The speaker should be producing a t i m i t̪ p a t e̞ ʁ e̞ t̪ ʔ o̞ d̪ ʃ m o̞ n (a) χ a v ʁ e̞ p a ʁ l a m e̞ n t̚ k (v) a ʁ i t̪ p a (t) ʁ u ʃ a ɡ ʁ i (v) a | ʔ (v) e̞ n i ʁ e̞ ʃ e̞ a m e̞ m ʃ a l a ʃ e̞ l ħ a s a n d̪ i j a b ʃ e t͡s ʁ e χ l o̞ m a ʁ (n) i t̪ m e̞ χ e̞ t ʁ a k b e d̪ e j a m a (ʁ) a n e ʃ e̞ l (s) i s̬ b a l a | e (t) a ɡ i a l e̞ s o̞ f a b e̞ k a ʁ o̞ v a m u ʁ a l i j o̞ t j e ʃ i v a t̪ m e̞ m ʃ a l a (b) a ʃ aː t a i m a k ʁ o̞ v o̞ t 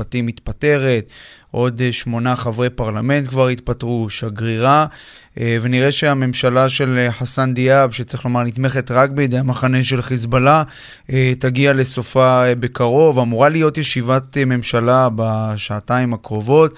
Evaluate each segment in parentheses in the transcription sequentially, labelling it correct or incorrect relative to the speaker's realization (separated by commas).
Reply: correct, correct, correct, incorrect, correct, correct, incorrect, incorrect, correct, correct